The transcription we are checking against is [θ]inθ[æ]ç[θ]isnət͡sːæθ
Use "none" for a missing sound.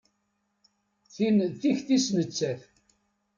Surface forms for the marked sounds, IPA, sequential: θ, i, θ

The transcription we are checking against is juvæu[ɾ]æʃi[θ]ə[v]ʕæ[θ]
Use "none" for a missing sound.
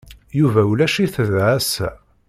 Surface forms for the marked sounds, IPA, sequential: l, θ, ð, s

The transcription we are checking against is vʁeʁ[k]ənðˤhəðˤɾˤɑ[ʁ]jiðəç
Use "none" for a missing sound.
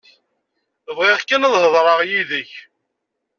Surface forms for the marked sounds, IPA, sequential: k, ʁ

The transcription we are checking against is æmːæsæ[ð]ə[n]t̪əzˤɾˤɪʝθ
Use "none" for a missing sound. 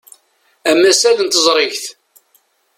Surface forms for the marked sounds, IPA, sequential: ð, n

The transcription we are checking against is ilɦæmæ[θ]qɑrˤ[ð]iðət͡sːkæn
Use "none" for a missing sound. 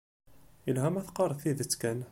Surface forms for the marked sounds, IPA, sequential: θ, θ

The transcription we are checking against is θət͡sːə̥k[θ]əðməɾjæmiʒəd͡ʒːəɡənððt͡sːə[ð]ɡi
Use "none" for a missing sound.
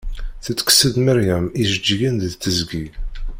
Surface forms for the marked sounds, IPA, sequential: s, z

